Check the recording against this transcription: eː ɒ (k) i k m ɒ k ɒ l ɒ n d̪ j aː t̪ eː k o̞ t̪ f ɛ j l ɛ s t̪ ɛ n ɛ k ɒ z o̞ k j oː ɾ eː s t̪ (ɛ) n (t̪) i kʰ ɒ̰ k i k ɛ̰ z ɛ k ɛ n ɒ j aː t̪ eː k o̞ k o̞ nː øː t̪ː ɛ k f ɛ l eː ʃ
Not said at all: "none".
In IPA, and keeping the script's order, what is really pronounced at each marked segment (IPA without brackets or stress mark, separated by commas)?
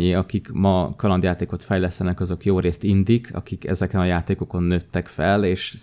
k, i, d̪